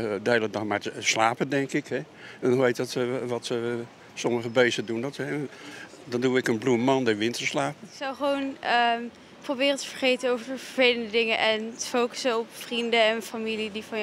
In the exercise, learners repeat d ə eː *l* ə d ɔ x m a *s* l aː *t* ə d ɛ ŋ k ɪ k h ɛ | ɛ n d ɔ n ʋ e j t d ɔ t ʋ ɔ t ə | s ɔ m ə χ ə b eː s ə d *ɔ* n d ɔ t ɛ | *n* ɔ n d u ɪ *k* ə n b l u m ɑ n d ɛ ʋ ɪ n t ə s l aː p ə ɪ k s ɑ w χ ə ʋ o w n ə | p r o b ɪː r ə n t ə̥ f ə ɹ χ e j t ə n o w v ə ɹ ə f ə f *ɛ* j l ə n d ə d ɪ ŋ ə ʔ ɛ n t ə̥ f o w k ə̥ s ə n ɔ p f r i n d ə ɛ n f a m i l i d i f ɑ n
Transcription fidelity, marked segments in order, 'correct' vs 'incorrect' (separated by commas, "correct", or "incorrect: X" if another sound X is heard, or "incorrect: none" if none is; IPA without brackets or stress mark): correct, correct, incorrect: p, incorrect: u, incorrect: d, correct, incorrect: e